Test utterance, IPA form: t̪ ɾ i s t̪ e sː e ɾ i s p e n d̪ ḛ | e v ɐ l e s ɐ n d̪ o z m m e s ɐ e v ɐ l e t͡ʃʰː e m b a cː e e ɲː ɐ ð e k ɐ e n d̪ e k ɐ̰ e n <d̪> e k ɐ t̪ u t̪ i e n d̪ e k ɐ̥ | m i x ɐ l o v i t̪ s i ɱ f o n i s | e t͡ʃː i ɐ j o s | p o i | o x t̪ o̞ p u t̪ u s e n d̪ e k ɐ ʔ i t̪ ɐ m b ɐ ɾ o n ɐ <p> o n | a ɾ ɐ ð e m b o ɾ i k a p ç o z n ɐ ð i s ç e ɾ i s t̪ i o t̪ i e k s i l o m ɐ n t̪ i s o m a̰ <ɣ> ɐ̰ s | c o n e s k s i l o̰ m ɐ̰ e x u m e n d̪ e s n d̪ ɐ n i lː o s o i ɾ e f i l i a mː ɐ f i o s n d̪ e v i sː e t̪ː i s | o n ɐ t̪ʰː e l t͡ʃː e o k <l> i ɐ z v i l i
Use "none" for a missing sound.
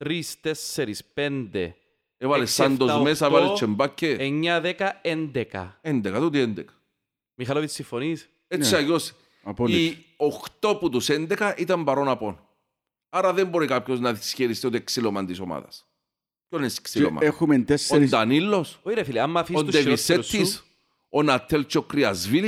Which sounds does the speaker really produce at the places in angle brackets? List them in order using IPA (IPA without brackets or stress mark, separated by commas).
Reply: d̪, p, ð, ɾ